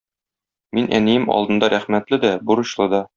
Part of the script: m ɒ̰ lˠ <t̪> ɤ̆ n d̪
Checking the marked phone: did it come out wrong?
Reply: yes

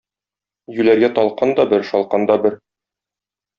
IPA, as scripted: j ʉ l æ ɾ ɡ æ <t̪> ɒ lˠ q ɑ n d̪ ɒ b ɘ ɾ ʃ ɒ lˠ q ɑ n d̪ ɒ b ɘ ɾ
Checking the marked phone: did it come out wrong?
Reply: no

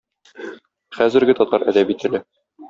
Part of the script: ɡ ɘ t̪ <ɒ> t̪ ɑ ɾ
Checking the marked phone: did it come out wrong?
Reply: no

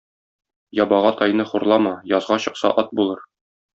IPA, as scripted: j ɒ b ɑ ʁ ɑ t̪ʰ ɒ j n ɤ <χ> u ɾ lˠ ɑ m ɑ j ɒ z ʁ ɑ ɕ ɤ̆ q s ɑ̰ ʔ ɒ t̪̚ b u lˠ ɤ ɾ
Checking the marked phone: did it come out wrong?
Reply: no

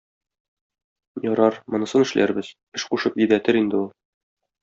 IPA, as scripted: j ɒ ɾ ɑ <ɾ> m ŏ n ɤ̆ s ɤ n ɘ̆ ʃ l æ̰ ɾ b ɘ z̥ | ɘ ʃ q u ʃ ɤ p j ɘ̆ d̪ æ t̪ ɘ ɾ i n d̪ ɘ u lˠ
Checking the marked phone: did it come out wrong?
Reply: no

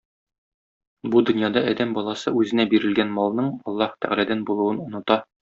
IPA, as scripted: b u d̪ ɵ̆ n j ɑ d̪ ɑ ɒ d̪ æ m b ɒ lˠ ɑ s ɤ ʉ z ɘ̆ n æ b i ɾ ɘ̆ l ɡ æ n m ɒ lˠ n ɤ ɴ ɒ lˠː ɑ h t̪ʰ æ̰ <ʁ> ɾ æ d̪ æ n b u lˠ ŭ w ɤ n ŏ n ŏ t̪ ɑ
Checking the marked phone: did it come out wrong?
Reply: no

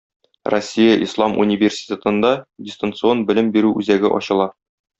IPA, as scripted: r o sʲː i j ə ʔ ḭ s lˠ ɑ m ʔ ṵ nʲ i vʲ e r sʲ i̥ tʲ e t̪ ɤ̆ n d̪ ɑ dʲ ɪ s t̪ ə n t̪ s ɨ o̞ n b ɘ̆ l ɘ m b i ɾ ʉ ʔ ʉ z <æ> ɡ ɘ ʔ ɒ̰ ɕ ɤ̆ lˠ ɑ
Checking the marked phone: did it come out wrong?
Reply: no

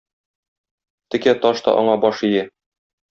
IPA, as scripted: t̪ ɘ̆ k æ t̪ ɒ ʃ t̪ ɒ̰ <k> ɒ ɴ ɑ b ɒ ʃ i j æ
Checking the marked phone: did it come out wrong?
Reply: yes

